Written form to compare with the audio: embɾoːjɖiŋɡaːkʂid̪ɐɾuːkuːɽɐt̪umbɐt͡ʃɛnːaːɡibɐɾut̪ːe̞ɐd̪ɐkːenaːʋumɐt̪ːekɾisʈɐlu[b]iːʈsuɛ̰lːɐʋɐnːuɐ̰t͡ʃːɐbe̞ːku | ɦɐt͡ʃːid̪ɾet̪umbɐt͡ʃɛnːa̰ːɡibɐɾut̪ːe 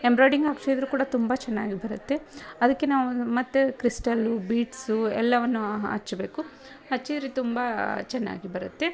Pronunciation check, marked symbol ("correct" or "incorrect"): correct